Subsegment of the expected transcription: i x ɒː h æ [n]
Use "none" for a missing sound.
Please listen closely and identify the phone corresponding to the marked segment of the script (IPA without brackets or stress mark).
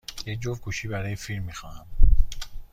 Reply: m